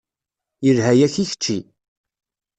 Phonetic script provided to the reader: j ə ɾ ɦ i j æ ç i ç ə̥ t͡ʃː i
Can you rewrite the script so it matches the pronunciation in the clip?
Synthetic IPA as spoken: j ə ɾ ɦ æ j æ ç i ç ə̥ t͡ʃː i